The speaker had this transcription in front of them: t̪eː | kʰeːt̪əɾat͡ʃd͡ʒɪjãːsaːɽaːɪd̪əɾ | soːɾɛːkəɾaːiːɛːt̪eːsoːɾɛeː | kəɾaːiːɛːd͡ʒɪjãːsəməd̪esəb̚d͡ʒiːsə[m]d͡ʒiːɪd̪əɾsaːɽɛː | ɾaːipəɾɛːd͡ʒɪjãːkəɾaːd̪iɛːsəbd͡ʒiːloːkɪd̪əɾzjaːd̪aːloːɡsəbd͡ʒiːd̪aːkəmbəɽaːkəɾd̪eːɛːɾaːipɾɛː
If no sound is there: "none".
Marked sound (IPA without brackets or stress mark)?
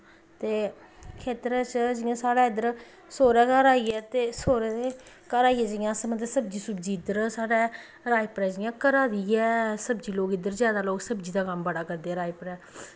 b